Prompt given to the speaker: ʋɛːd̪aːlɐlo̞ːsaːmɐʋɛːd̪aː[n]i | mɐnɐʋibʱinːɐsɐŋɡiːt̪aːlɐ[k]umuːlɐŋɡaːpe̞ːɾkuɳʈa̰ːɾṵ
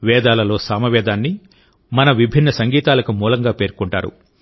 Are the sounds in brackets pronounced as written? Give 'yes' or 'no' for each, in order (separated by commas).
no, yes